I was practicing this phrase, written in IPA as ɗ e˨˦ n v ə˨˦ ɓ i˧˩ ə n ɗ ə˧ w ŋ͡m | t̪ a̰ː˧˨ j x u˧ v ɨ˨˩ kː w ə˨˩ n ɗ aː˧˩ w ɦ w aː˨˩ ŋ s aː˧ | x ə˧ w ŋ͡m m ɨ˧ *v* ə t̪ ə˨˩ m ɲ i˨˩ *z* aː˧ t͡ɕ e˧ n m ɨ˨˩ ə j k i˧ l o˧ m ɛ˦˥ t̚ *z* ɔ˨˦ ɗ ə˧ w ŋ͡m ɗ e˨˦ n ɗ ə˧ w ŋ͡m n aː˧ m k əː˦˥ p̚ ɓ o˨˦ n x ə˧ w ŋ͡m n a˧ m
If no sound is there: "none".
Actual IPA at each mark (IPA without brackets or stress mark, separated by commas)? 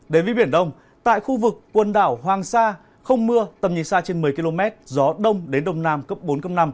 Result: none, s, z